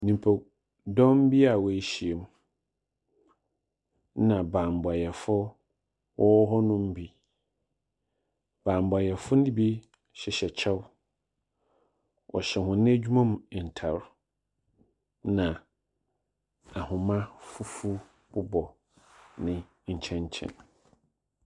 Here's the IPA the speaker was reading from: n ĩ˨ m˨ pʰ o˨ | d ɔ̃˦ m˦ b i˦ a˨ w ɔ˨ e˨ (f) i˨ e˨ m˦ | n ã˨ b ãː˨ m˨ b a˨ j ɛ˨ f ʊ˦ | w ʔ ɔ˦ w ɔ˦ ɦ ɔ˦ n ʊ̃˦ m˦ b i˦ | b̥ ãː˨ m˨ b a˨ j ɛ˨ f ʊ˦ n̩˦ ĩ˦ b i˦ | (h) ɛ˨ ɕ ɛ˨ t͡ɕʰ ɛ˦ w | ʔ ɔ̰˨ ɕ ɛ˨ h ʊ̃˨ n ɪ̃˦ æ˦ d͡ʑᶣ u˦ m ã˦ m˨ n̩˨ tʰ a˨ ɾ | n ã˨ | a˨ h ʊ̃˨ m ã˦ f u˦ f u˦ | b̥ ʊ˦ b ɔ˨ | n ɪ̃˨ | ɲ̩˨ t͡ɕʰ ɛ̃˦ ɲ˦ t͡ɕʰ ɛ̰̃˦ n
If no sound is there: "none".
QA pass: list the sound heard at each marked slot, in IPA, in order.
ɕ, ɕ

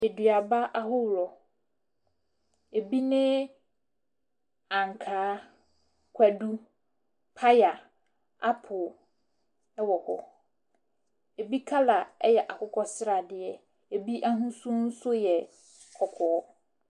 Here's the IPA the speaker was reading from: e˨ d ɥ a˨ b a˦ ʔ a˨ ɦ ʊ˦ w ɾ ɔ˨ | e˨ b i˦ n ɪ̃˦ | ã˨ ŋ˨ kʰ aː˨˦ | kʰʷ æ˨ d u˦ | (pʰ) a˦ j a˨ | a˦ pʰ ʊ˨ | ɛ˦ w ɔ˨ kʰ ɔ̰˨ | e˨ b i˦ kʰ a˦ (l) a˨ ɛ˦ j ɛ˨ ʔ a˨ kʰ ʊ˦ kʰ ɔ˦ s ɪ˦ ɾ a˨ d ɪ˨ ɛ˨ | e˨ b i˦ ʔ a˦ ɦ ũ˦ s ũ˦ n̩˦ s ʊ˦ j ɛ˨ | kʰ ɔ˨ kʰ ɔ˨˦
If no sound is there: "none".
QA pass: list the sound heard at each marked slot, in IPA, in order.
pʰ, l

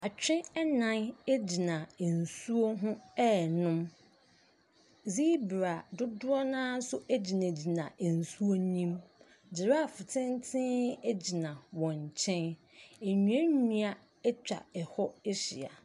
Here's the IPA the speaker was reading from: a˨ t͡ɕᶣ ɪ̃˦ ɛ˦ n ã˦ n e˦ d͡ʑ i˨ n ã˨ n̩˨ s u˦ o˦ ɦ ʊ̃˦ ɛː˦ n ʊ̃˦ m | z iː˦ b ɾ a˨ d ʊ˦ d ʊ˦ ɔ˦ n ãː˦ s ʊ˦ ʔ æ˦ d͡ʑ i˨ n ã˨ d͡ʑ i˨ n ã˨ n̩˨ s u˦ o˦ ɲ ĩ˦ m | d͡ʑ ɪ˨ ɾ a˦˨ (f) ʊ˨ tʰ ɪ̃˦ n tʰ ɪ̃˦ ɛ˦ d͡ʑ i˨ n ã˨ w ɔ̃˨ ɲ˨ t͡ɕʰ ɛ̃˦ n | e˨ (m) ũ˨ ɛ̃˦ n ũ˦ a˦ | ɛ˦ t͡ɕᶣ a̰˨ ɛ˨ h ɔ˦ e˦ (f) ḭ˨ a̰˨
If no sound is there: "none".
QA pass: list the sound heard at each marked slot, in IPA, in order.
f, ɲ, ɕ

